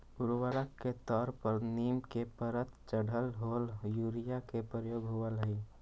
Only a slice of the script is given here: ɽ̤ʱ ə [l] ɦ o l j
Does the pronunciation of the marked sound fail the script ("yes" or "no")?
no